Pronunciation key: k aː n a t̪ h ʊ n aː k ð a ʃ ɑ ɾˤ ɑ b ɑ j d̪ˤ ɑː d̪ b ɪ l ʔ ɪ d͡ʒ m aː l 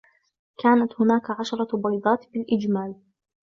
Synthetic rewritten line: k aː n a t̪ h ʊ n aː k ʕ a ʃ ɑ ɾˤ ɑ b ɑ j d̪ˤ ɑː t̪ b ɪ l ʔ ɪ d͡ʒ m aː l